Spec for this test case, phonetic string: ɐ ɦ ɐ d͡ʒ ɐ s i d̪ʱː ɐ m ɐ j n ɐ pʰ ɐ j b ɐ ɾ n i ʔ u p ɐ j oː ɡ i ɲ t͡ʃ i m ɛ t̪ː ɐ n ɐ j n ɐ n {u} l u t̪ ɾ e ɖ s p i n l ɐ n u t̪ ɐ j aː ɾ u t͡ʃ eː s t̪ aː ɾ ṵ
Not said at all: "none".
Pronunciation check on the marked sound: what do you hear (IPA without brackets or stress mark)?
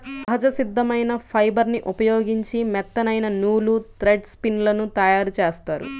uː